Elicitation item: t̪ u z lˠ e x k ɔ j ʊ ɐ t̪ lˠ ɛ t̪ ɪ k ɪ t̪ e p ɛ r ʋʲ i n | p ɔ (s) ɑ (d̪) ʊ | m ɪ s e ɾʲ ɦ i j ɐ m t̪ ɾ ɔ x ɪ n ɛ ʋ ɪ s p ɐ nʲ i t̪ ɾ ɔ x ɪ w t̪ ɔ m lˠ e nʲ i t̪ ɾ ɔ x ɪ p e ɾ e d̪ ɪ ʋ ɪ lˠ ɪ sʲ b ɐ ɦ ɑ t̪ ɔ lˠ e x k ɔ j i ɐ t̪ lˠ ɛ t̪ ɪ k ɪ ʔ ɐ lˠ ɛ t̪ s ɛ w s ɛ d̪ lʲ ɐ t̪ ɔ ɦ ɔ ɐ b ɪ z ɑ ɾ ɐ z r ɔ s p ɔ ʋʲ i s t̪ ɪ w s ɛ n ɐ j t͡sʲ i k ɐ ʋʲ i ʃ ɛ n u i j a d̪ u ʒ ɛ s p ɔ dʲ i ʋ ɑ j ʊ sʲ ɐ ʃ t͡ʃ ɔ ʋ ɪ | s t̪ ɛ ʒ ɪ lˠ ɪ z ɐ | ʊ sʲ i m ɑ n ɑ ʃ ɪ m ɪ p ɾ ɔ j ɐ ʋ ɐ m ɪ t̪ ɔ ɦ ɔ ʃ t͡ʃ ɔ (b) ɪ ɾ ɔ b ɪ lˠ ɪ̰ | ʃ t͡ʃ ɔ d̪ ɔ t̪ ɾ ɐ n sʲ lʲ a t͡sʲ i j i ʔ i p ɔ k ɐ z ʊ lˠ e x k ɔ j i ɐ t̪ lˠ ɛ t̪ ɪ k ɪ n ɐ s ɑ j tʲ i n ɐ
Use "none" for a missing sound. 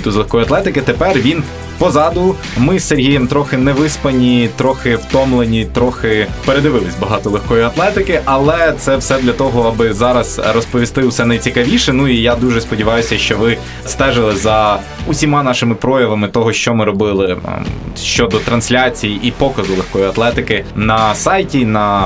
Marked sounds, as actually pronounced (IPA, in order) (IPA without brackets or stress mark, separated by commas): z, d̪, m